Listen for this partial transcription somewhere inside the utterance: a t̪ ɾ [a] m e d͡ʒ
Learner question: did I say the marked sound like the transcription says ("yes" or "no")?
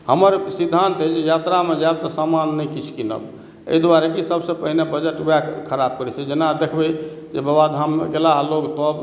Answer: yes